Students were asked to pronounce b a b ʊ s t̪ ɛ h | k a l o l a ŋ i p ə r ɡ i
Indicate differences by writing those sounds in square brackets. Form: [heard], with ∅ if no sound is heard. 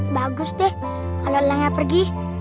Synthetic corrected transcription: b a [ɡ] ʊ s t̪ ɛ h | k a l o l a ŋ [a] p ə r ɡ i